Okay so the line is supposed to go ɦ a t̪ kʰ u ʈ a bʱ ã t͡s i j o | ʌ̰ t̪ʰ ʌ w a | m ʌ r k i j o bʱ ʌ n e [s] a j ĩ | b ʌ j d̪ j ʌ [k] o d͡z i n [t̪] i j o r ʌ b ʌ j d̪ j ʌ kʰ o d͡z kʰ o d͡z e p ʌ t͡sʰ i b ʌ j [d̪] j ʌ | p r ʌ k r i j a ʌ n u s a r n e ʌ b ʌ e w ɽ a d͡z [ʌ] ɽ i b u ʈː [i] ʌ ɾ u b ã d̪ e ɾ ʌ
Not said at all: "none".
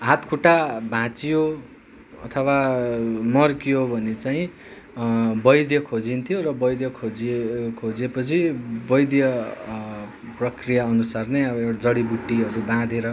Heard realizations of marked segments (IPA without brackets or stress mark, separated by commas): t͡s, kʰ, t̪ʰ, d̪, ʌ, i